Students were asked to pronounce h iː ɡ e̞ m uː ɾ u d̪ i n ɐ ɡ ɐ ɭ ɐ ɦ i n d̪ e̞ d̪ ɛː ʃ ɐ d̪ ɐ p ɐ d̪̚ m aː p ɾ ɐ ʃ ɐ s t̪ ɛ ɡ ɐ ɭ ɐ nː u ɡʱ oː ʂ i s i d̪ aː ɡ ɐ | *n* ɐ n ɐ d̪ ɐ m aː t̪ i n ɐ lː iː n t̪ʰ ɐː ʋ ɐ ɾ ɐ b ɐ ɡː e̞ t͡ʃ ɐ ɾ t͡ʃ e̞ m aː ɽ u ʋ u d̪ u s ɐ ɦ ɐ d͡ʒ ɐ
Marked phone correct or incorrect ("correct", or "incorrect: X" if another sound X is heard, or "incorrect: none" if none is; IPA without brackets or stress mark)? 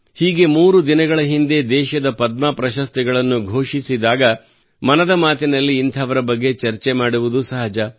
incorrect: m